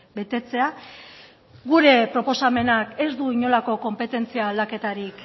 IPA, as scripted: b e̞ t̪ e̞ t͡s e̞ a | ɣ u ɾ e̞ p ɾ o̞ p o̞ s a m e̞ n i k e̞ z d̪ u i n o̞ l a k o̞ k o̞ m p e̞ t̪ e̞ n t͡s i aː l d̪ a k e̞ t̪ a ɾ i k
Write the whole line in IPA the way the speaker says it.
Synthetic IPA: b e̞ t̪ e̞ t͡s e̞ a | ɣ u ɾ e̞ p ɾ o̞ p o̞ s a m e̞ n a k e̞ z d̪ u i ɲ o̞ l a k o̞ k o̞ m p e̞ t̪ e̞ n t͡s i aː l d̪ a k e̞ t̪ a ɾ i k